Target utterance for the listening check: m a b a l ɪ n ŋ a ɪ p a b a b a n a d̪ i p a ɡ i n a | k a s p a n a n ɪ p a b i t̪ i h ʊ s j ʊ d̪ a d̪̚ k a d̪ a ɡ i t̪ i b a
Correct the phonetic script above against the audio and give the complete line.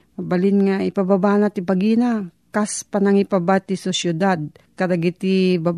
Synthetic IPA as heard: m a b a l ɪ n ŋ a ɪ p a b a b a n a t̪ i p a ɡ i n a | k a s p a n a ŋ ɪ p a b a t̪ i s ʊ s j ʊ d̪ a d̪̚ k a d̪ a ɡ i t̪ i b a